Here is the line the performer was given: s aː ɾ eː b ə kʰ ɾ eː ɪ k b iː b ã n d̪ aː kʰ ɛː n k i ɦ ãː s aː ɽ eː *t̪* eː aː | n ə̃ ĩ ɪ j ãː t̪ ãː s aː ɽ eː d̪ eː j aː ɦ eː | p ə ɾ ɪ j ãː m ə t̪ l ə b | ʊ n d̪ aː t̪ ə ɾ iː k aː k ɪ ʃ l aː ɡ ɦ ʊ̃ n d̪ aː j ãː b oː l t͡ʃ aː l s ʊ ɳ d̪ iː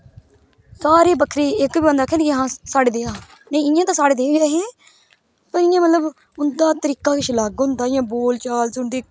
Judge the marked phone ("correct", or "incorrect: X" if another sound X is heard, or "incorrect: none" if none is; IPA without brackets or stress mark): incorrect: d̪